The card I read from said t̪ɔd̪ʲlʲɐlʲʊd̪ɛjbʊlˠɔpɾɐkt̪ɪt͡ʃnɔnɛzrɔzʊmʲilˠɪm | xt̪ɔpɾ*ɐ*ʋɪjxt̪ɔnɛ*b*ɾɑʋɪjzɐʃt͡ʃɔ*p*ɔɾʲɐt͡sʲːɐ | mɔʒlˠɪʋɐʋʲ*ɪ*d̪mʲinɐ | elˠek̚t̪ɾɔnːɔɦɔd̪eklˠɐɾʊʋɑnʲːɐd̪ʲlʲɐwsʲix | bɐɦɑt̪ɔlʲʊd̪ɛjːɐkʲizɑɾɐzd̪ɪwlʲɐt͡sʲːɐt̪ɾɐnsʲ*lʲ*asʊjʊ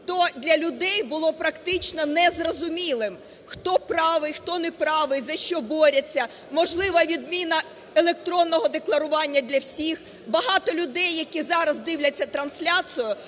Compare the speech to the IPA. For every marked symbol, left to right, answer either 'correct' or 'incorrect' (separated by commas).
incorrect, incorrect, incorrect, incorrect, correct